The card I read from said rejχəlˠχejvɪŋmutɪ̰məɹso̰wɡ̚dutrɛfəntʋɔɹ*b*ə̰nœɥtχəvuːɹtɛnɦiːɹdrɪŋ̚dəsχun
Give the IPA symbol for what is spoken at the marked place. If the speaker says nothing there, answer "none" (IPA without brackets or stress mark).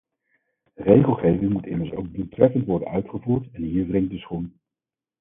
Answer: d